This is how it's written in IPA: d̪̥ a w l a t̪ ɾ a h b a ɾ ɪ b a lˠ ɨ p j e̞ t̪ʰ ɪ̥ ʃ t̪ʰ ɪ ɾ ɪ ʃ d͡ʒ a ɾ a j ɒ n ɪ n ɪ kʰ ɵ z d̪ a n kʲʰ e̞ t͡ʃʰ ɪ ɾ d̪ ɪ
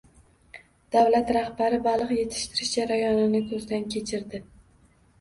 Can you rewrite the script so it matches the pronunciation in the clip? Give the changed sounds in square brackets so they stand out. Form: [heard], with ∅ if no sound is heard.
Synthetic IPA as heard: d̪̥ a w l a t̪ ɾ a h b a ɾ ɪ b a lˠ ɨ [q] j e̞ t̪ʰ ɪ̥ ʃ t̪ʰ ɪ ɾ ɪ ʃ d͡ʒ a ɾ a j ɒ n ɪ n ɪ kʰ ɵ z d̪ a n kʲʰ e̞ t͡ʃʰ ɪ ɾ d̪ ɪ